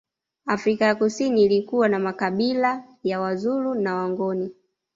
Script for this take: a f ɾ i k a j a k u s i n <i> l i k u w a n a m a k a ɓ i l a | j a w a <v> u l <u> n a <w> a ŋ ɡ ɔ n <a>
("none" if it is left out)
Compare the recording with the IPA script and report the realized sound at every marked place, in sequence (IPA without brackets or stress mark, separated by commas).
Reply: iː, z, u, w, i